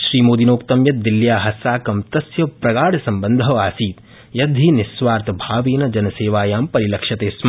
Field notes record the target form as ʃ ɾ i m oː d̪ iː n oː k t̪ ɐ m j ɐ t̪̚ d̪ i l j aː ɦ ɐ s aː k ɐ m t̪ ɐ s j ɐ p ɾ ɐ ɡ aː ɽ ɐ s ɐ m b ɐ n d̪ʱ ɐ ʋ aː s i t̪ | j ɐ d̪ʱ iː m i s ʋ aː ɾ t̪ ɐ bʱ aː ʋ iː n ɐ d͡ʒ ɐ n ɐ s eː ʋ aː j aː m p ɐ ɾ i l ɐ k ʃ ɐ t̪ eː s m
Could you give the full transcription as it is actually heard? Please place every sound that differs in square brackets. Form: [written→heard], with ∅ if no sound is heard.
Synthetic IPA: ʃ ɾ [i→iː] m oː d̪ [iː→i] n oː k t̪ ɐ m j ɐ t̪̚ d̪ i l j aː ɦ ɐ s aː k ɐ m t̪ ɐ s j ɐ p ɾ ɐ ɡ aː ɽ ɐ s ɐ m b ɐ n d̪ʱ ɐ ʋ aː s [i→iː] t̪ | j ɐ d̪ʱ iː [m→n] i s ʋ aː ɾ t̪ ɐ bʱ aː ʋ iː n ɐ d͡ʒ ɐ n ɐ s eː ʋ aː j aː m p ɐ ɾ i l ɐ k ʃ ɐ t̪ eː s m